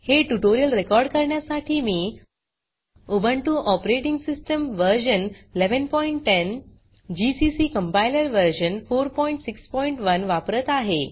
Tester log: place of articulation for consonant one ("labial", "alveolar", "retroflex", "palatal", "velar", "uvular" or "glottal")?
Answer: glottal